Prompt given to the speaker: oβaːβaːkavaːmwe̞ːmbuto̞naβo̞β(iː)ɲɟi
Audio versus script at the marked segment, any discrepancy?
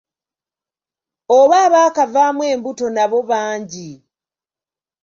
yes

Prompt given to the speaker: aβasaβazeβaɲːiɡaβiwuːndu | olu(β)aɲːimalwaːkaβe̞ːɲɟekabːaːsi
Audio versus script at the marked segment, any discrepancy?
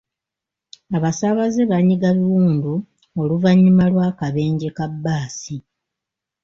yes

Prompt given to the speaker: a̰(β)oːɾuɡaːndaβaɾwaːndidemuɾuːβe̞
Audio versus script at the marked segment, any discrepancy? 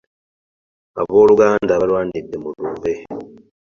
no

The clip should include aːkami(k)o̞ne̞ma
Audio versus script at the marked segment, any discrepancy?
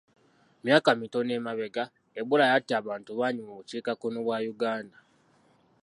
yes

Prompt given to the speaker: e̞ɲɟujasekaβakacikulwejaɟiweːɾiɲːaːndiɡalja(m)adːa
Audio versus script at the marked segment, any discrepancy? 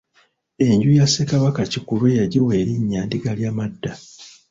no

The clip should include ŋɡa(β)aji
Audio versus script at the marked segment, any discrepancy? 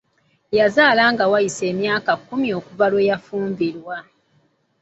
yes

